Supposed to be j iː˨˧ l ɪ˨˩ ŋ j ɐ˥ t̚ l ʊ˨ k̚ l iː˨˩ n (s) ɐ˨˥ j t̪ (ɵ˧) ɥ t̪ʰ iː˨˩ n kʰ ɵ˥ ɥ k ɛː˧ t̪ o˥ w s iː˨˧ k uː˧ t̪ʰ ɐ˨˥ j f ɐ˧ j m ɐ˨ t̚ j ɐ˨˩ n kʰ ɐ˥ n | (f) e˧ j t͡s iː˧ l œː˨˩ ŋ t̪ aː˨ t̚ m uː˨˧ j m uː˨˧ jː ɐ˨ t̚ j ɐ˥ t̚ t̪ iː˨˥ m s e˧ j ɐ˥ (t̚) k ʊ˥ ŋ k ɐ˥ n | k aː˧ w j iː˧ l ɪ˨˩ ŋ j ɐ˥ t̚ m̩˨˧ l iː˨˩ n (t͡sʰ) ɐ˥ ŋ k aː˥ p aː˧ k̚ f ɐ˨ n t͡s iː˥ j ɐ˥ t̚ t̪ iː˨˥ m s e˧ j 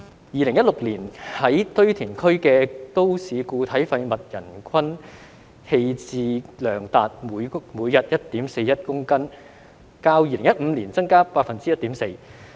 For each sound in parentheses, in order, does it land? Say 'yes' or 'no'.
no, no, no, yes, no

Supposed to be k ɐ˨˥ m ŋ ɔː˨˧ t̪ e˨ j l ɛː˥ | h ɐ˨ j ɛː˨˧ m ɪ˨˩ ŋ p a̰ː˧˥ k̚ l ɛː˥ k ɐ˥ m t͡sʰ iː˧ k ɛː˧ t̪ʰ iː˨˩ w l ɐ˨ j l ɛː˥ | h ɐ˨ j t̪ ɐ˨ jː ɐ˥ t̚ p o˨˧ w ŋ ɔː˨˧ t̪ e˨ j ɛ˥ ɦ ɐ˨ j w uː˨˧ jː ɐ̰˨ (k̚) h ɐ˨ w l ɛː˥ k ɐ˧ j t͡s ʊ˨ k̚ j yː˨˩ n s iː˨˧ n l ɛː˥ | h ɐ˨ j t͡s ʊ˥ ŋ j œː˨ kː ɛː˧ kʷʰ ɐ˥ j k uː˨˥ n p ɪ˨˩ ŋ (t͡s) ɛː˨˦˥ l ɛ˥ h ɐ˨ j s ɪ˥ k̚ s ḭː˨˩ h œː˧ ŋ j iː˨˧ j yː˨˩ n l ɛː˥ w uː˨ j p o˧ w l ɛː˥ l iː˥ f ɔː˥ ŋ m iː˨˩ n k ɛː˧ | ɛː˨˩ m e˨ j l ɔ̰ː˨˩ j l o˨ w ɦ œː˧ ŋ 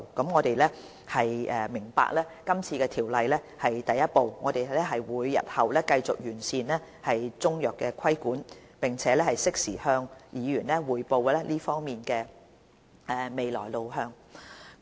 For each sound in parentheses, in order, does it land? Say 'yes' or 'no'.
no, no

